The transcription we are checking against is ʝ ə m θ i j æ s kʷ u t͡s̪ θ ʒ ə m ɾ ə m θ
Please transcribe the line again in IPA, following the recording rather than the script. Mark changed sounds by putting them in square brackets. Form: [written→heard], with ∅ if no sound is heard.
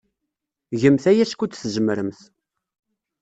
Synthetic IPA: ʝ ə m θ [i→æ] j æ s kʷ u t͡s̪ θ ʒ ə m ɾ ə m θ